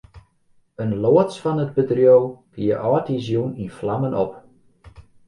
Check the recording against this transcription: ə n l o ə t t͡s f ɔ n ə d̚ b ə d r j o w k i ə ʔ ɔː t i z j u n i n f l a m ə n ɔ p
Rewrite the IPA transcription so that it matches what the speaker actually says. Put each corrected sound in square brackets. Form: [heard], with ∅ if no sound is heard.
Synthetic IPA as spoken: ə n l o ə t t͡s f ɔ n ə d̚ b ə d r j o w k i ə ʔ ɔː t i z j u n i n f l a m ə n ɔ p